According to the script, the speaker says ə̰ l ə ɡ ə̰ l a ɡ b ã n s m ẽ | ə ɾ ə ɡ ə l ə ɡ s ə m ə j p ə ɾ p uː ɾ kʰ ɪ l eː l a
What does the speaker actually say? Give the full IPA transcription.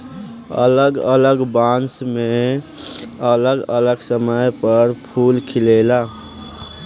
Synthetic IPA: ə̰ l ə ɡ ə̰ l ə ɡ b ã n s m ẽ | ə l ə ɡ ə l ə ɡ s ə m ə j p ə ɾ pʰ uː l kʰ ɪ l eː l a